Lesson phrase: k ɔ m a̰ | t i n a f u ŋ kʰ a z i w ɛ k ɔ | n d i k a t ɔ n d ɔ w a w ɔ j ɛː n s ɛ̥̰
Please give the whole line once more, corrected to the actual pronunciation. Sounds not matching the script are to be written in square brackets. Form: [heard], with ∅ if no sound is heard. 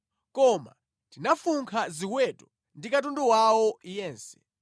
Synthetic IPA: k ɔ m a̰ | t i n a f u ŋ kʰ a z i w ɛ [t] ɔ | n d i k a t [u] n d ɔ w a w ɔ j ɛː n s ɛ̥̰